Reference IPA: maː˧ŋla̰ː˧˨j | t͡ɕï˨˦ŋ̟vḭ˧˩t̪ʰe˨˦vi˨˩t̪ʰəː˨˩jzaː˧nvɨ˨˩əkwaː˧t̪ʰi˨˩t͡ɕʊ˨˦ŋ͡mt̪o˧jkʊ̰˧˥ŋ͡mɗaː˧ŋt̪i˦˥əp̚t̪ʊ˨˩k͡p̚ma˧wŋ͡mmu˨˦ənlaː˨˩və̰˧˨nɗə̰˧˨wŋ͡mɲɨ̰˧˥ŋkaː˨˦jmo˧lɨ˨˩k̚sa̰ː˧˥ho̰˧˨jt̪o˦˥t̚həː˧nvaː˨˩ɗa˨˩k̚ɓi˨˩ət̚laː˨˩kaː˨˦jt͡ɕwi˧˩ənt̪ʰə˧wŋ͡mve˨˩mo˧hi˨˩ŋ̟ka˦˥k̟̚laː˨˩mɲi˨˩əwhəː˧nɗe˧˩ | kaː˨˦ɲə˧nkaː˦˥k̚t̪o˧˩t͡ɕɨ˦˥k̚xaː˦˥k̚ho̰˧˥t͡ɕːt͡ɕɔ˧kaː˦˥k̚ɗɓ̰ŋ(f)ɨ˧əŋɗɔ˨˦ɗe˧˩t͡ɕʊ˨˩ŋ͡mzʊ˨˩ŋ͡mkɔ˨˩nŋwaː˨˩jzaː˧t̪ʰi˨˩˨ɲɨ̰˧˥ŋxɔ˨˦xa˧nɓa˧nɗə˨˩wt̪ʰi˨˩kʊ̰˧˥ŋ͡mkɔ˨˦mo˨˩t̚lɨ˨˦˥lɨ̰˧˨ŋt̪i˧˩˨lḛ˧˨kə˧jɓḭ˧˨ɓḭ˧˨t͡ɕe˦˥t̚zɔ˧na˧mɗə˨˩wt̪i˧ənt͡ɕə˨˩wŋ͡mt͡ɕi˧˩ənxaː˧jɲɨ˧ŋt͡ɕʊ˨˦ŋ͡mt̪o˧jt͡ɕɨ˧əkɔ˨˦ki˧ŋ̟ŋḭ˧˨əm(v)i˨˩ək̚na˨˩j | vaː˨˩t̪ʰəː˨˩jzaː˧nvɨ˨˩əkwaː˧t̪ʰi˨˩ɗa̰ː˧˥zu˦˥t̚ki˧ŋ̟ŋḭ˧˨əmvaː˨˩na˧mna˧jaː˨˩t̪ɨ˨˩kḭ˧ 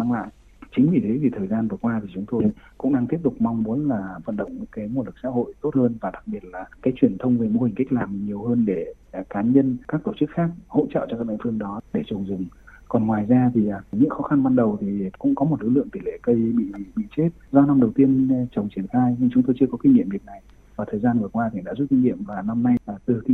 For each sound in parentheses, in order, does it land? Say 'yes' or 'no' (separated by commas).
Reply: yes, yes